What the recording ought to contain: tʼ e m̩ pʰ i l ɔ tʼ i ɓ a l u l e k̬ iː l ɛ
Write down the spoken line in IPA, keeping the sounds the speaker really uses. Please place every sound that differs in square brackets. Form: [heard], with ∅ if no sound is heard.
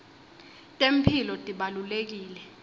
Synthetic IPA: tʼ e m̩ pʰ i l ɔ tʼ i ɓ a l u l e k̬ iː l ɛ